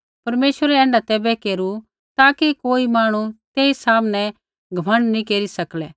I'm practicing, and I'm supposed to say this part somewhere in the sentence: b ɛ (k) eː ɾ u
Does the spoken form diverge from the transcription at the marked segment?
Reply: no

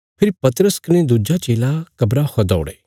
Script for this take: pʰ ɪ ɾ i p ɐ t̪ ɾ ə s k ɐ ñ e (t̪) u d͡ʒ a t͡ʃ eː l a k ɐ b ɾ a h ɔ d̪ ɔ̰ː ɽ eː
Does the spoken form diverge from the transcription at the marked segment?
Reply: yes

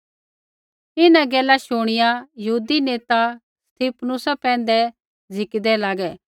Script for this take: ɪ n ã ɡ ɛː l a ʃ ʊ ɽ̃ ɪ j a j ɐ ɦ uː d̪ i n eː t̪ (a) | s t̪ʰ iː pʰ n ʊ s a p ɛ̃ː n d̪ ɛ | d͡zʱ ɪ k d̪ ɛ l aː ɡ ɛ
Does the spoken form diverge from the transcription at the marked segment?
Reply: no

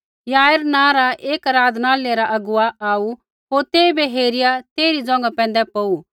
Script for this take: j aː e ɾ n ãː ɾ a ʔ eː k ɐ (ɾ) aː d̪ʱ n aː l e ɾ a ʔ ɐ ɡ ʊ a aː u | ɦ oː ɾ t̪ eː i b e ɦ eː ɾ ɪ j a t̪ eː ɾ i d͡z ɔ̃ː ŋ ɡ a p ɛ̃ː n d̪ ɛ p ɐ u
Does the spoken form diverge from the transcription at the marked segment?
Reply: no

